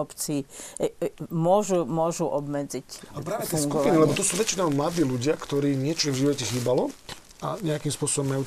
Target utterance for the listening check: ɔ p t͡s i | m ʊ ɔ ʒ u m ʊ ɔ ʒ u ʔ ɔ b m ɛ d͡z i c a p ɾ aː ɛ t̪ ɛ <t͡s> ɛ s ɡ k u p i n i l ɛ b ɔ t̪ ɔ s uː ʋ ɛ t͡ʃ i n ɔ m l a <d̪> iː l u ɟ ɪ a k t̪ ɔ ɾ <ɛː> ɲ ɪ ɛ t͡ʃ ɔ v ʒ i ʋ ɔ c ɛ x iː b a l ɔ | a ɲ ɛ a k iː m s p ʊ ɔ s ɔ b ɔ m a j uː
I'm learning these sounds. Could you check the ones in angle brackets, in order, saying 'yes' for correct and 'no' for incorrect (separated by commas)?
no, yes, no